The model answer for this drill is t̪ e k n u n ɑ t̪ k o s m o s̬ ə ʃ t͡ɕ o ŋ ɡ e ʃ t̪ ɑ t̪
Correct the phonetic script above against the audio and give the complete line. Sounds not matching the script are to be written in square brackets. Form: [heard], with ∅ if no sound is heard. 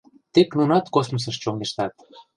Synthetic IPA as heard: t̪ e k n u n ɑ t̪ k o s m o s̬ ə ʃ t͡ɕ o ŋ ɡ e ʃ t̪ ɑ t̪